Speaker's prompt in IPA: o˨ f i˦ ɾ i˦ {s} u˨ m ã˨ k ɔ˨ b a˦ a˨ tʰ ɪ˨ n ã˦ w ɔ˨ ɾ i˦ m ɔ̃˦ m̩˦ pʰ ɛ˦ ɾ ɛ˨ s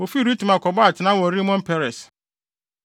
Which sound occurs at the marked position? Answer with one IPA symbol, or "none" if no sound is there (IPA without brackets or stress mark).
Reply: t